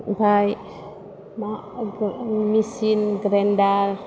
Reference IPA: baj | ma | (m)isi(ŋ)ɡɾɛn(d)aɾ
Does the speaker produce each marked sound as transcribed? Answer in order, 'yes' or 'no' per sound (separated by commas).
yes, no, yes